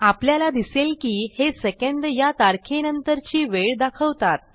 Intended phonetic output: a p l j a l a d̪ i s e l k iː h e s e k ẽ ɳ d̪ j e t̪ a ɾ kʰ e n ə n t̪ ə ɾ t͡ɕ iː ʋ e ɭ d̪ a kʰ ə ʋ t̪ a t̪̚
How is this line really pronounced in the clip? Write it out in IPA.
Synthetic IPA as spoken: a p l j a l a d̪ i s e l k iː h e s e k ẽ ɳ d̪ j a t̪ a ɾ kʰ e n ə n t̪ ə ɾ t͡ɕ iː ʋ e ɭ d̪ a kʰ ə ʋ t̪ a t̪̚